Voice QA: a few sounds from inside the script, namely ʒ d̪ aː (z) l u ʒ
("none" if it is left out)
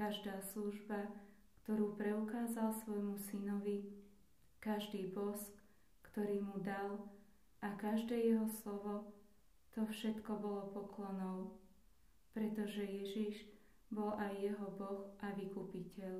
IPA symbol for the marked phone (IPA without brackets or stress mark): s